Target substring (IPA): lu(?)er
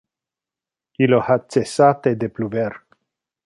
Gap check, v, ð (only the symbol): v